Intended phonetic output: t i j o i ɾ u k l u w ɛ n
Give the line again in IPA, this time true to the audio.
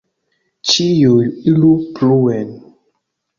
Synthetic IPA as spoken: t͡ʃ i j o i l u p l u w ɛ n